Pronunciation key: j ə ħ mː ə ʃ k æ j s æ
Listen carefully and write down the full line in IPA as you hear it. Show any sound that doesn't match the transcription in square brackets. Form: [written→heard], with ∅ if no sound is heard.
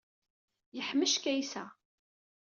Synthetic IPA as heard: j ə ħ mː ə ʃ k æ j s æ